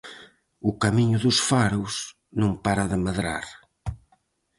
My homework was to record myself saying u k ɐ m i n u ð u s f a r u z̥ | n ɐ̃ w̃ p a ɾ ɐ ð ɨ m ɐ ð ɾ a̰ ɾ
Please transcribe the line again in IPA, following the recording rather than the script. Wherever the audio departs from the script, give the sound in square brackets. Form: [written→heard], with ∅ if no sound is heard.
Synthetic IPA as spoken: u k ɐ m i [n→ɲ] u ð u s f a [r→ɾ] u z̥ | n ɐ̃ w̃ p a ɾ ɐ ð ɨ m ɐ ð ɾ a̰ ɾ